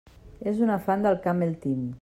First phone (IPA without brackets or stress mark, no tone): e